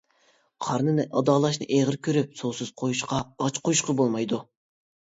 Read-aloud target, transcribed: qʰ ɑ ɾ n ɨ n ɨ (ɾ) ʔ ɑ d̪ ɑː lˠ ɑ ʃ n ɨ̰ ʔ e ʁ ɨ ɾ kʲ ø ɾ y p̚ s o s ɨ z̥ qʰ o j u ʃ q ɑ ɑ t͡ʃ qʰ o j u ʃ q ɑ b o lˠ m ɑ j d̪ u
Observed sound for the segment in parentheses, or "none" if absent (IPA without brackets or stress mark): none